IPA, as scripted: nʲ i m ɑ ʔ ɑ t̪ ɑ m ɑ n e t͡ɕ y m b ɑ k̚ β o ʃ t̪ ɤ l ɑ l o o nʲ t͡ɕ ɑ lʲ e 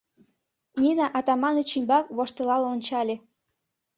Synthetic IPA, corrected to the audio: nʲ i n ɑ ʔ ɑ t̪ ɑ m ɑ n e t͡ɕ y m b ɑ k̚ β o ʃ t̪ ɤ l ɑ l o o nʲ t͡ɕ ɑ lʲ e